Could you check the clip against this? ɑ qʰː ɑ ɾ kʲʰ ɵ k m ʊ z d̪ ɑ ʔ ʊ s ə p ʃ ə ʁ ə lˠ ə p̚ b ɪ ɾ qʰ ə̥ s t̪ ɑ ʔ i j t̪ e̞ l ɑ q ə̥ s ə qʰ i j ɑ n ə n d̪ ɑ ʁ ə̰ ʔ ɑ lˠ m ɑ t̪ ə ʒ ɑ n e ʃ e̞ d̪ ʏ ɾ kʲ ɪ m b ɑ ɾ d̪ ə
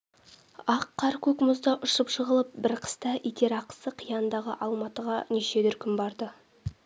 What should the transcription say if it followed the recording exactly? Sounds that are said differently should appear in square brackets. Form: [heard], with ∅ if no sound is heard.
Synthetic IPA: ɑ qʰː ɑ ɾ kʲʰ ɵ k m ʊ z d̪ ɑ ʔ ʊ [ʃ] ə p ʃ ə ʁ ə lˠ ə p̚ b ɪ ɾ qʰ ə̥ s t̪ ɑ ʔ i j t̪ e̞ [ɾ] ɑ q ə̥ s ə qʰ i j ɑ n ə n d̪ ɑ ʁ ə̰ ʔ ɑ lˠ m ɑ t̪ ə [ʁ] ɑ n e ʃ e̞ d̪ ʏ ɾ kʲ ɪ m b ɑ ɾ d̪ ə